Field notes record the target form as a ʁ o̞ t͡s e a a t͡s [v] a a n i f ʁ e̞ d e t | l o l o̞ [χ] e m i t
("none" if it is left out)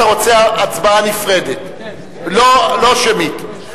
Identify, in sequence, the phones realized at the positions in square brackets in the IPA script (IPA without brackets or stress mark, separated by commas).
b, ʃ